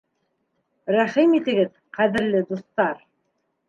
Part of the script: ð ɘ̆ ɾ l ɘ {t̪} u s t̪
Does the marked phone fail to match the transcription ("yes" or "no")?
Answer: yes